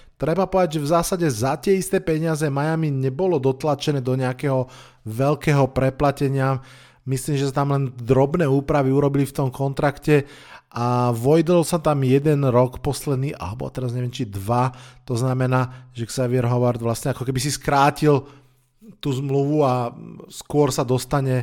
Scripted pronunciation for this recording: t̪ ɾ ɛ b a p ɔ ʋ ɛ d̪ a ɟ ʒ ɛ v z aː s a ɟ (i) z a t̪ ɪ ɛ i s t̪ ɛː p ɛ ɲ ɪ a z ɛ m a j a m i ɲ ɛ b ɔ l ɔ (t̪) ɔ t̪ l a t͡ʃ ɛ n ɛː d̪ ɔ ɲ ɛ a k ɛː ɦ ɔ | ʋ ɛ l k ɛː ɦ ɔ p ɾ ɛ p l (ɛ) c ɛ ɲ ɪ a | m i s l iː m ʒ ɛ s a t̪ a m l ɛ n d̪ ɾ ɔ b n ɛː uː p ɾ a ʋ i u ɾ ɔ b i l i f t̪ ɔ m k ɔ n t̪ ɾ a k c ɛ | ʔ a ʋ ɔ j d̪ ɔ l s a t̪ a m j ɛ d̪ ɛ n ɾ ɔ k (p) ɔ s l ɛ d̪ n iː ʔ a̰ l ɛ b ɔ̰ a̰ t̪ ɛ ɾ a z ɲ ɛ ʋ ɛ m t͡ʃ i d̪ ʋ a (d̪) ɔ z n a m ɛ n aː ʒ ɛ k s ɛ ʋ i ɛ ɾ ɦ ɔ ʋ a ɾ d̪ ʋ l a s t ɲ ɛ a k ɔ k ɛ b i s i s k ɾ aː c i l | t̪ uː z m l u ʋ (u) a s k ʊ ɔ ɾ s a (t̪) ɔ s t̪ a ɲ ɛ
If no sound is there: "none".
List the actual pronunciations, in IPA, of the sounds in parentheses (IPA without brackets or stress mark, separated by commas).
ɛ, d̪, a, p, t̪, u, d̪